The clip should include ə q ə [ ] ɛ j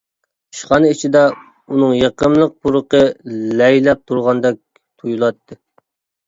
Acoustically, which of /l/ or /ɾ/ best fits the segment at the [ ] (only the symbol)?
l